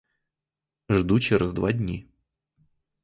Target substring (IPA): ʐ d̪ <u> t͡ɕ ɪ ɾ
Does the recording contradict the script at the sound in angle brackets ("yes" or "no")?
no